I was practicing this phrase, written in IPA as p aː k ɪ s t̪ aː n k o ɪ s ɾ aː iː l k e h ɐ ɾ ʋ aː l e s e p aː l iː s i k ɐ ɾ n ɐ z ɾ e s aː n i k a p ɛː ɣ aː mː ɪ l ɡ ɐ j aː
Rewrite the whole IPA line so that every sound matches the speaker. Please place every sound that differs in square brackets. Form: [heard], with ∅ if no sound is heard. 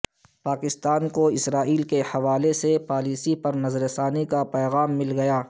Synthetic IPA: p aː k ɪ s t̪ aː n k o ɪ s ɾ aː iː l k e h ɐ [∅] ʋ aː l e s e p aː l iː s i [p] ɐ ɾ n ɐ z ɾ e s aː n i k a p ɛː ɣ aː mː ɪ l ɡ ɐ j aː